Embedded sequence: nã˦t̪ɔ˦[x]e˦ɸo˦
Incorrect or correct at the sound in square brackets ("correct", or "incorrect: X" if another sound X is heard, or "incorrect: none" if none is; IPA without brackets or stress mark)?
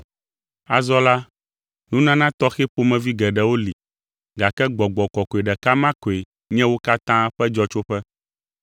correct